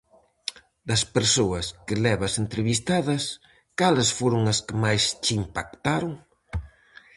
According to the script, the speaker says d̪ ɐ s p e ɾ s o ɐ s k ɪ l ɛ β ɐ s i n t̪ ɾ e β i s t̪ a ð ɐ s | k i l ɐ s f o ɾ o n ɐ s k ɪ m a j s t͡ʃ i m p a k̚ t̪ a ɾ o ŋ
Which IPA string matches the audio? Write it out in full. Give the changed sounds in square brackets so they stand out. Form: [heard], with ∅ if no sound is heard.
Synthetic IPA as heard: d̪ ɐ s p e ɾ s o ɐ s k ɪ l ɛ β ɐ s [e] n t̪ ɾ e β i s t̪ a ð ɐ s | k [a] l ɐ s f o ɾ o [ŋ] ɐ s k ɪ m a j s t͡ʃ i m p a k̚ t̪ a ɾ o ŋ